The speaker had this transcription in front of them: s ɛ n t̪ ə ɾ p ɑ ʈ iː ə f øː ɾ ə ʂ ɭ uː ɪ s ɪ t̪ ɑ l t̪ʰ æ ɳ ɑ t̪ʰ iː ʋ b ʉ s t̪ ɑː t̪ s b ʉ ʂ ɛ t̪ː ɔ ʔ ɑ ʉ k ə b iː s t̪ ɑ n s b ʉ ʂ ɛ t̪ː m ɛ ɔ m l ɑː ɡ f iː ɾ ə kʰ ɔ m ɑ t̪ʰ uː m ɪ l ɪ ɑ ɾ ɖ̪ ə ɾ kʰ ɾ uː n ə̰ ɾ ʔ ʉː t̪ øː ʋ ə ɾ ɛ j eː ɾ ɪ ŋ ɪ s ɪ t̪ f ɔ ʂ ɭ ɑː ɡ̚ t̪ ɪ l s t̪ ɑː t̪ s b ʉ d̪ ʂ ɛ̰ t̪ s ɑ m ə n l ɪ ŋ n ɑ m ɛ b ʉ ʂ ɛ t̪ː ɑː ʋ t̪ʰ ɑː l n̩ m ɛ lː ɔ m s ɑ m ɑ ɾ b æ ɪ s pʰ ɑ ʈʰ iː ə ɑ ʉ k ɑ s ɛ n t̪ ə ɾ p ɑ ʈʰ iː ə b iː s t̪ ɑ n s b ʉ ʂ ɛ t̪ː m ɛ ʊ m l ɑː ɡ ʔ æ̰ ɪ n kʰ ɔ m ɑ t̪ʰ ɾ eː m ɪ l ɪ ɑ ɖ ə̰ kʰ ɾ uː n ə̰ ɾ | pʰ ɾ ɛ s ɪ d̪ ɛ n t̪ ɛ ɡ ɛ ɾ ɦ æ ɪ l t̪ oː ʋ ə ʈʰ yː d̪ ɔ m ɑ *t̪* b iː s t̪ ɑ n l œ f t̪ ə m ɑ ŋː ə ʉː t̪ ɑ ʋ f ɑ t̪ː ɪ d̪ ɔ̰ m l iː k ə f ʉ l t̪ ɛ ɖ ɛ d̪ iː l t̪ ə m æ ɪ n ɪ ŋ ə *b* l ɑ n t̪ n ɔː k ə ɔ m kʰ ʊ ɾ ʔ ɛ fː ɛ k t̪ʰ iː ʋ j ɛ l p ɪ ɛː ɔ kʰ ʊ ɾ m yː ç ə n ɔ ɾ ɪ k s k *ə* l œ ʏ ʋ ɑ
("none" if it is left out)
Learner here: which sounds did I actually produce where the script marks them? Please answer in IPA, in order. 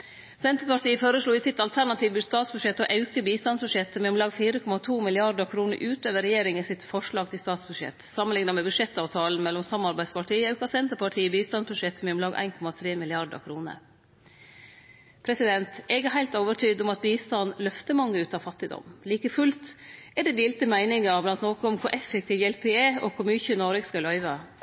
t̪, b, ɑ

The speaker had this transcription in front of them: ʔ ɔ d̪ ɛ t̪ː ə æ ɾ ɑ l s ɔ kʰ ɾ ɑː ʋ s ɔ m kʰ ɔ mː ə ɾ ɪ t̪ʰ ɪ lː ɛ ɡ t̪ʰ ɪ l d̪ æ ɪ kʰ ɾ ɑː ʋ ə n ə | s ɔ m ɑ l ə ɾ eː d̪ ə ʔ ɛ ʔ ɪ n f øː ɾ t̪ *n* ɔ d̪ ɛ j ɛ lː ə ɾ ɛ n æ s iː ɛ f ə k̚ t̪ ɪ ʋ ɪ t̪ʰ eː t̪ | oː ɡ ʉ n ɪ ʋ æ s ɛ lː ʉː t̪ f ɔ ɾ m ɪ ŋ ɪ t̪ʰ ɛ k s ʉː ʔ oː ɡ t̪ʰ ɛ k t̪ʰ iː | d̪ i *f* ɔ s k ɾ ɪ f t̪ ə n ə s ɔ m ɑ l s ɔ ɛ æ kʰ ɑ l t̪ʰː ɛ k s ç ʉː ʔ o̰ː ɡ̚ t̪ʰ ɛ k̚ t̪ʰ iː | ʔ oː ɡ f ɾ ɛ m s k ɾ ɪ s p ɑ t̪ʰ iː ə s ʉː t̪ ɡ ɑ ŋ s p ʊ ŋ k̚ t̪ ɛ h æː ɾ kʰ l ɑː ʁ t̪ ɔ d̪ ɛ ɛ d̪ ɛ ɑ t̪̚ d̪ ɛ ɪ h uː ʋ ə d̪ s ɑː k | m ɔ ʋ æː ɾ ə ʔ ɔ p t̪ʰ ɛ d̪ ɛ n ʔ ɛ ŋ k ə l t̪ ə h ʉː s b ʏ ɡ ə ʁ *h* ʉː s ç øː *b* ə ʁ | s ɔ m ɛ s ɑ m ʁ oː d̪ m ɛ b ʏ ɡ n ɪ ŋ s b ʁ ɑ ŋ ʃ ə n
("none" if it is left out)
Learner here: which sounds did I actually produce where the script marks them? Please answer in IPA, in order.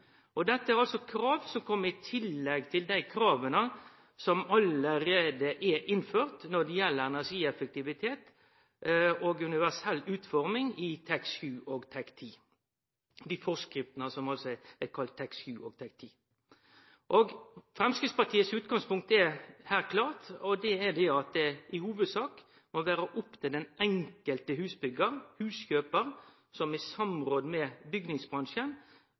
n, f, h, p

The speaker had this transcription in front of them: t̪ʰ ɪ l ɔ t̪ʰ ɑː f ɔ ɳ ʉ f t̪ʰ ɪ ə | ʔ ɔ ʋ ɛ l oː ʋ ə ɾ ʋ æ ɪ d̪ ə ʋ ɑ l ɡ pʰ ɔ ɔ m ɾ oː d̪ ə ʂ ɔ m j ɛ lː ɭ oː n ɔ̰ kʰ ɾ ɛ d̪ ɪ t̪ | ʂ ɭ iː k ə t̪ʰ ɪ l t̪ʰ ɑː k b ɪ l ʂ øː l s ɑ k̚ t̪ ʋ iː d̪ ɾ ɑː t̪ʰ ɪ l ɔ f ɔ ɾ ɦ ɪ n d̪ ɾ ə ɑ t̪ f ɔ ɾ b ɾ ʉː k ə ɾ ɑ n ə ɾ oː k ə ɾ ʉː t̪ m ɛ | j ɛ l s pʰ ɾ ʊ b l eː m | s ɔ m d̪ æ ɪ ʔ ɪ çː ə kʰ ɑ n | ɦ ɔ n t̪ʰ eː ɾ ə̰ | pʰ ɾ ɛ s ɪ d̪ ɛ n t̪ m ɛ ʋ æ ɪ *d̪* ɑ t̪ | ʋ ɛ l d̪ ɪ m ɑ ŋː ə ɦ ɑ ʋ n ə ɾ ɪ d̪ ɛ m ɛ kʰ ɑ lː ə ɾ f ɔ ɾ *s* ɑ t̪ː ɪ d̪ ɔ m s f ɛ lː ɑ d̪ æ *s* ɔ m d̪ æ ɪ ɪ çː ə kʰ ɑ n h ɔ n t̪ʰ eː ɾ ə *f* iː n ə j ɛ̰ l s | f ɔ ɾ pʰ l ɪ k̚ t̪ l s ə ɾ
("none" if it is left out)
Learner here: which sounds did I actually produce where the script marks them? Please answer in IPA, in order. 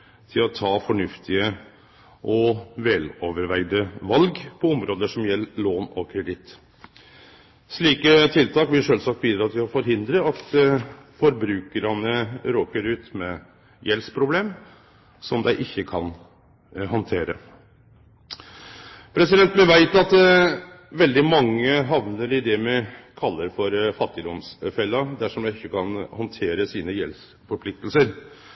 t̪, f, ʂ, s

